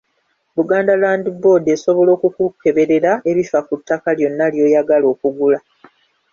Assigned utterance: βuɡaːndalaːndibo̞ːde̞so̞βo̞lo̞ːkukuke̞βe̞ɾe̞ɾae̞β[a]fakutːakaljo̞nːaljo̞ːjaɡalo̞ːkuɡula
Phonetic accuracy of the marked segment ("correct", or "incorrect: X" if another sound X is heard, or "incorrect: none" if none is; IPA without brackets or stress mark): incorrect: i